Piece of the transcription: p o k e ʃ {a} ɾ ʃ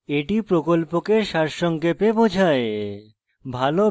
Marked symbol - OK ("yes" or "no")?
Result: yes